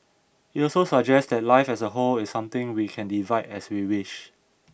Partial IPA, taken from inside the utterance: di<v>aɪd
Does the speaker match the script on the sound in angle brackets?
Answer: yes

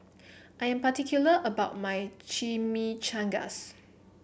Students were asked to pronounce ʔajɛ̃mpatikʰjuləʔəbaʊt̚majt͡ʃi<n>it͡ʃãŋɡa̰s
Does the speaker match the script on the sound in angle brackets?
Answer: no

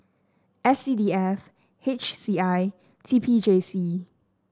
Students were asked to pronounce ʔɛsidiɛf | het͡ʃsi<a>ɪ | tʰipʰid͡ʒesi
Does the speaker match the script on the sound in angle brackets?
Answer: yes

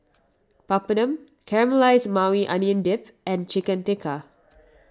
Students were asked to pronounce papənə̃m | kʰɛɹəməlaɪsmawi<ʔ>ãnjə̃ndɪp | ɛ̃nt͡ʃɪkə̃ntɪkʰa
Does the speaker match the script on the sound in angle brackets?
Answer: yes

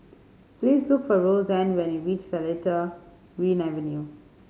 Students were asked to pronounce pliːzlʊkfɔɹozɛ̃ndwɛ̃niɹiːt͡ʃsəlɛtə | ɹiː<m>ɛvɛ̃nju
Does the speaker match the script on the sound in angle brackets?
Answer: no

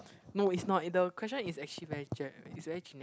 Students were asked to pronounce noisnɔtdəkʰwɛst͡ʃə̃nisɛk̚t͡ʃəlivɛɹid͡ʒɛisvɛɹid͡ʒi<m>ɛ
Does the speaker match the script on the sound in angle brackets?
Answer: no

